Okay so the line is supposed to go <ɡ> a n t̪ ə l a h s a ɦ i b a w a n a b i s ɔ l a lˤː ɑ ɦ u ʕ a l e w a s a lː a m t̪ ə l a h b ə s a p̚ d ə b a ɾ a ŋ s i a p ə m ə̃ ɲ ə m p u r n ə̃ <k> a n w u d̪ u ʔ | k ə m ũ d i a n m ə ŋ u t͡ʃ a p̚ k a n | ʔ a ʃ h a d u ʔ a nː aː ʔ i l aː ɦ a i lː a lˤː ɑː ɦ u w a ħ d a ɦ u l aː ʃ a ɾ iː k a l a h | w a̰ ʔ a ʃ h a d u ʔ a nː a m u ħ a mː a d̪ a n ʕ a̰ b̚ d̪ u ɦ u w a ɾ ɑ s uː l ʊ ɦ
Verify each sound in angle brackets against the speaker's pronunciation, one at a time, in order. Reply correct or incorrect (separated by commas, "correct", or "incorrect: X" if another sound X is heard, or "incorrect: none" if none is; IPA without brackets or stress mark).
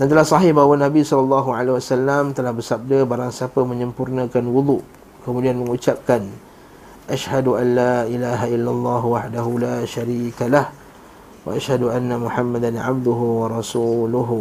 incorrect: d, correct